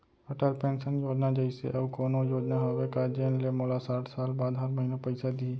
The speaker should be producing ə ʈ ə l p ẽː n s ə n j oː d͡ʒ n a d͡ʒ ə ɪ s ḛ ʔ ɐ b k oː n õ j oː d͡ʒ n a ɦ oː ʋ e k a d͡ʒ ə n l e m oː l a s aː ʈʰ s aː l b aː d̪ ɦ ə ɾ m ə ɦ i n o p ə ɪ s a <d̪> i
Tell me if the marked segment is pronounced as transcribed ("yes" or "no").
yes